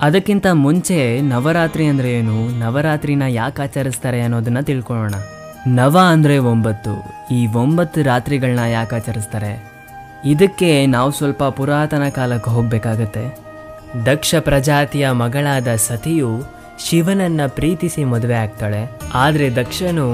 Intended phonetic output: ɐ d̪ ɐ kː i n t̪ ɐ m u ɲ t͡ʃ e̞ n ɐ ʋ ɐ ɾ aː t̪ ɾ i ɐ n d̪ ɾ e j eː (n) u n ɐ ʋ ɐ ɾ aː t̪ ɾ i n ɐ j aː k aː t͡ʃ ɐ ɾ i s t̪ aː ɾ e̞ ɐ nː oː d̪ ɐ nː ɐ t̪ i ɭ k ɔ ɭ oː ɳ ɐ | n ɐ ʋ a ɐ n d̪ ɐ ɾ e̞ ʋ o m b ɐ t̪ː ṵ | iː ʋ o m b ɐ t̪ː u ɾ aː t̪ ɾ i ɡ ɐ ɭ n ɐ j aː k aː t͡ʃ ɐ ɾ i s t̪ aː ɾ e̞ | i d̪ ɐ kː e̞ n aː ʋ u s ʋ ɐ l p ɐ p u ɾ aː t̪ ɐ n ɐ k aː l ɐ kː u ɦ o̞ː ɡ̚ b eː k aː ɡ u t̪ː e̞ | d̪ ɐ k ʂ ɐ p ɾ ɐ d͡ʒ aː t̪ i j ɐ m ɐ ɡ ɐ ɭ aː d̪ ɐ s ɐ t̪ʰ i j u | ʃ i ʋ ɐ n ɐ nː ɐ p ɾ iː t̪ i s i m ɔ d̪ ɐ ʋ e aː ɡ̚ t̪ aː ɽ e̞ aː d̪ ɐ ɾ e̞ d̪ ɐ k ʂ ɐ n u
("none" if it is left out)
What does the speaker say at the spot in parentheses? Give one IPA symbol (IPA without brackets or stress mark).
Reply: n